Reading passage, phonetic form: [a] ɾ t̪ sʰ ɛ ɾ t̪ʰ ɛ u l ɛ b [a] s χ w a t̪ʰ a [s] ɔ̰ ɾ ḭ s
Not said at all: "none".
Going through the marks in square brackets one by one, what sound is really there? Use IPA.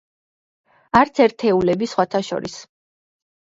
a, i, ʃ

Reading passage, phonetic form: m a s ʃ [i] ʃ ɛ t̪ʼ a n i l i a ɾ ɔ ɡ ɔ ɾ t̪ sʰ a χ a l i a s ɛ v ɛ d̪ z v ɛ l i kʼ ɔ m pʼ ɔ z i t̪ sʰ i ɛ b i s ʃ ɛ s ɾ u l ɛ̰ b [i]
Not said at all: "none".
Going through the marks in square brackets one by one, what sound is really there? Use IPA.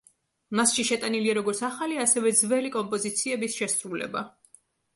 i, a

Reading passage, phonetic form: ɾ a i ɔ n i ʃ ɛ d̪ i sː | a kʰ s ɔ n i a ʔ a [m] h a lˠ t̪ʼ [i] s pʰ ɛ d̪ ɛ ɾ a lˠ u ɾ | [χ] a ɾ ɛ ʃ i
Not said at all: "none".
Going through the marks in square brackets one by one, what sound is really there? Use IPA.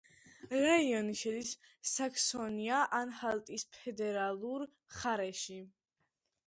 n, i, χ

